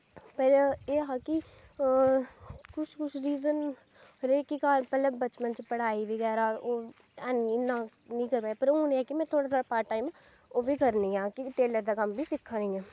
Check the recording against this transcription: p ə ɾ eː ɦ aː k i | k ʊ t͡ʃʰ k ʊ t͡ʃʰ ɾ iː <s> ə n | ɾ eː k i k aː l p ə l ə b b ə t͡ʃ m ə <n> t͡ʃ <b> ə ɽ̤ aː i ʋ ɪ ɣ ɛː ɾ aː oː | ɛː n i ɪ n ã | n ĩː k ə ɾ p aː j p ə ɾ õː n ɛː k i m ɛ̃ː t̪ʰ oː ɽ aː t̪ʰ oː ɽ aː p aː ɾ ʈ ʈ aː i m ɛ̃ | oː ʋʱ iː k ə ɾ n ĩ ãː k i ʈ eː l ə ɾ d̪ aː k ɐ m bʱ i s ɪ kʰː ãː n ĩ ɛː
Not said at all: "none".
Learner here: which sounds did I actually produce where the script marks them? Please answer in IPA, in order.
z, n, p

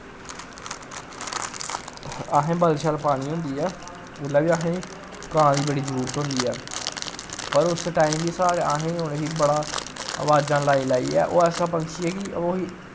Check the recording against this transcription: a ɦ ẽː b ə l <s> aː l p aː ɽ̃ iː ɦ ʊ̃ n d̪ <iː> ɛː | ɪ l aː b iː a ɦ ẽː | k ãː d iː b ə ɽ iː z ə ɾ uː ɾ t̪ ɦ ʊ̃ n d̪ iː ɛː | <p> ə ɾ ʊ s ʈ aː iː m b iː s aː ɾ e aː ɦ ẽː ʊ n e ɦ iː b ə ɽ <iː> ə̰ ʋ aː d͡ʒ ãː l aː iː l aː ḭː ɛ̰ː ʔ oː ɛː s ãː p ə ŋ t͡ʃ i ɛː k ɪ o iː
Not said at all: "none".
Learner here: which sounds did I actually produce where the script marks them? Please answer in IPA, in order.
ʃ, iː, p, aː

